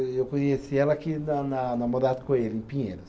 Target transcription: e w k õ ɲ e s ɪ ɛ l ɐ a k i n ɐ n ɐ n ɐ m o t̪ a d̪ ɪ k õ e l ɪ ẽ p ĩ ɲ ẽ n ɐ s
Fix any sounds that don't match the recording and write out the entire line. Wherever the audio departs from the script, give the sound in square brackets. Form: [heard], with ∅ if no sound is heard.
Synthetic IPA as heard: e w k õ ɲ e s [i] ɛ l ɐ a k i n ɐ n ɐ n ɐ m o [d̪] a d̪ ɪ k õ e l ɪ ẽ p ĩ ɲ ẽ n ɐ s